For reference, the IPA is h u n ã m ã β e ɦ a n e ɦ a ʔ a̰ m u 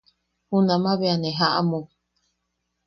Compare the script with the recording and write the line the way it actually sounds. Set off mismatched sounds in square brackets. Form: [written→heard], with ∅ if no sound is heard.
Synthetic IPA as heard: h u n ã m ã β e [ɦ→∅] a n e ɦ a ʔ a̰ m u